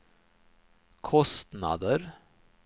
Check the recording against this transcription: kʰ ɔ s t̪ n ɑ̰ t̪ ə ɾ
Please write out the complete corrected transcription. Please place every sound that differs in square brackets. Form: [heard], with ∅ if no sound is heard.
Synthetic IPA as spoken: kʰ ɔ s t̪ n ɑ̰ [d̪] ə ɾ